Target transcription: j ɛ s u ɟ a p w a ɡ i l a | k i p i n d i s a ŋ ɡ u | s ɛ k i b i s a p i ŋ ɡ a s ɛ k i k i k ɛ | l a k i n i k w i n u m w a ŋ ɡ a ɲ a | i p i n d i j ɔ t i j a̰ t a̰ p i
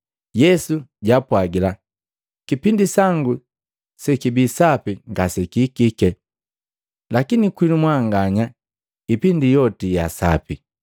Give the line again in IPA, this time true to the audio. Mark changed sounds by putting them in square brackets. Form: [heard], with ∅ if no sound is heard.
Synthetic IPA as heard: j ɛ s u ɟ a p w a ɡ i l a | k i p i n d i s a ŋ ɡ u | s ɛ k i b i s a p i ŋ ɡ a s ɛ k i k i k ɛ | l a k i n i k w i n u m w a ŋ ɡ a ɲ a | i p i n d i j ɔ t i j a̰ [s] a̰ p i